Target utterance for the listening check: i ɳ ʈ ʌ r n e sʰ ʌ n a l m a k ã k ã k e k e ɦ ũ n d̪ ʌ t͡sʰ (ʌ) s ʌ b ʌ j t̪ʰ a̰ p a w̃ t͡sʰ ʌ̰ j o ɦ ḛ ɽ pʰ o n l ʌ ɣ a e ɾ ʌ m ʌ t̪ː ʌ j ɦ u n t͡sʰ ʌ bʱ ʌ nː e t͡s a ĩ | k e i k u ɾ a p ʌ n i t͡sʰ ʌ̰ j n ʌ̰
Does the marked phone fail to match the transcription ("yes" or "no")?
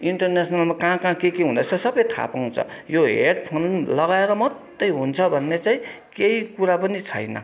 no